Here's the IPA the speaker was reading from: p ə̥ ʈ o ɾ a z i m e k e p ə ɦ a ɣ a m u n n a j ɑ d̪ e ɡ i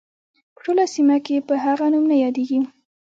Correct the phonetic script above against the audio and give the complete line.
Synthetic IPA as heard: p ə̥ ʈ o l a s i m a k e p ə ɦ a ɣ a n u m n a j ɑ d̪ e ɡ i